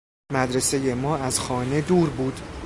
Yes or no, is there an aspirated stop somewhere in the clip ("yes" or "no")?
no